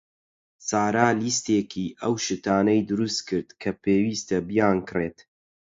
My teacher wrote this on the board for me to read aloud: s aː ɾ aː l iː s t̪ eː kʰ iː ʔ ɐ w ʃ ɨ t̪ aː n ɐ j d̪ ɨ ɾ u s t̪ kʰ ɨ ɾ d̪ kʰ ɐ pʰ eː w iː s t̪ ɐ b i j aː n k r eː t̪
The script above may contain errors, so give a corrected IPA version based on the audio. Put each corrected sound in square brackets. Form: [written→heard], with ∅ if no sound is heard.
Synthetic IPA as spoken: s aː ɾ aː l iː s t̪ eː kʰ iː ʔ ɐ w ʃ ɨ t̪ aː n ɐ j d̪ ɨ ɾ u s t̪ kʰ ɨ ɾ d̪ kʰ ɐ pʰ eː w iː s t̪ ɐ b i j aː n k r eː t̪